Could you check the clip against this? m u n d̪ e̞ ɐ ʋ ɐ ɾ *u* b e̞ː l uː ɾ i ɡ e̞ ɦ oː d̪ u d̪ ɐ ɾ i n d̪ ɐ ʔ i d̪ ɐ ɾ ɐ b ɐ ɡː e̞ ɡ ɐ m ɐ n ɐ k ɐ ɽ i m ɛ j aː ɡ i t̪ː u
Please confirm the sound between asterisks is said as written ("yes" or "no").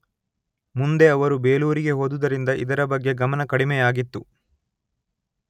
yes